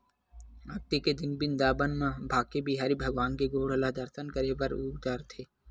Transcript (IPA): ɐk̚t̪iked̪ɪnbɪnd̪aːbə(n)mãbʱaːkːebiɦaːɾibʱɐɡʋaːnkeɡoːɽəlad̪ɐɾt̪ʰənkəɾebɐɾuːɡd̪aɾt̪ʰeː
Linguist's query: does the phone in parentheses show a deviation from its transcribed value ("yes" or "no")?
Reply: no